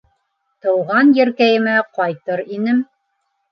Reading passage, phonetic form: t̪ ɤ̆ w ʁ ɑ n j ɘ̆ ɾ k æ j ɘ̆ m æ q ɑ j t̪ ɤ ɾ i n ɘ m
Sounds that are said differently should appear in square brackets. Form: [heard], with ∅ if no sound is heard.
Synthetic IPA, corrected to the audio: t̪ ɤ̆ w ʁ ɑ n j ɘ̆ ɾ k æ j ɘ̆ m æ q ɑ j t̪ ɤ ɾ i n ɘ m